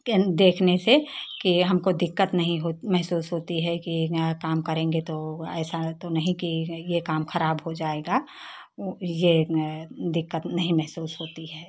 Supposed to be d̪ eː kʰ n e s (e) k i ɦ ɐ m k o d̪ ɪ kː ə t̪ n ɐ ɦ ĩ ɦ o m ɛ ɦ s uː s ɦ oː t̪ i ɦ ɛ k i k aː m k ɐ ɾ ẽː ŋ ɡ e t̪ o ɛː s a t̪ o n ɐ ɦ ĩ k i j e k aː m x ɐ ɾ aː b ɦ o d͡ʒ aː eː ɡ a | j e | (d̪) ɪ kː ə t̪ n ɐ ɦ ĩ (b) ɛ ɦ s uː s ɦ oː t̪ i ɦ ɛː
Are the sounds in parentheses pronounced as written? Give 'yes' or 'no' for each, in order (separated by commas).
yes, yes, no